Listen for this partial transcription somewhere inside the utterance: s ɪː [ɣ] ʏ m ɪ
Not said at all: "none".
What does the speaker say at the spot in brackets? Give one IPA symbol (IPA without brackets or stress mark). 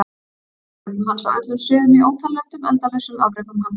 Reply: ð